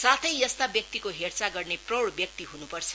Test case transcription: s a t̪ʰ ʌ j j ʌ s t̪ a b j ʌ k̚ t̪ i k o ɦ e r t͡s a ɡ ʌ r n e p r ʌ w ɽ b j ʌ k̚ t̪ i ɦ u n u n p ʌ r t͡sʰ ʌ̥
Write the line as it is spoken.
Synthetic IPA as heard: s a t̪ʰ ʌ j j ʌ s t̪ a b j ʌ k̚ t̪ i k o ɦ e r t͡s a ɡ ʌ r n e p r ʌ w ɽ b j ʌ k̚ t̪ i ɦ u n u p ʌ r t͡sʰ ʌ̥